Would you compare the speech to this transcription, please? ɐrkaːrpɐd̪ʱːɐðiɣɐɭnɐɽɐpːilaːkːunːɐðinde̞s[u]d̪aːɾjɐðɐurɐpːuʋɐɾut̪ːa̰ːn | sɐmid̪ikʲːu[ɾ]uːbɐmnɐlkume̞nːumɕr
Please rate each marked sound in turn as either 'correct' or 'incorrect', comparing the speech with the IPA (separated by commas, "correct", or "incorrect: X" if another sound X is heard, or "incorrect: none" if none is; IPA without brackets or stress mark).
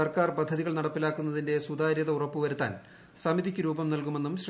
correct, correct